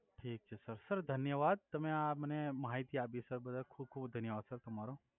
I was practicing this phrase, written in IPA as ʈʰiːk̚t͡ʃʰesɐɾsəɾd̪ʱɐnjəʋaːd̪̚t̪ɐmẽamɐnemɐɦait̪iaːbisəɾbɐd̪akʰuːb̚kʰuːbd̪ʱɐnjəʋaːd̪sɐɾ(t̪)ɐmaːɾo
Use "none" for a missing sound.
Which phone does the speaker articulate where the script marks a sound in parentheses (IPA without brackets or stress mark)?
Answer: t̪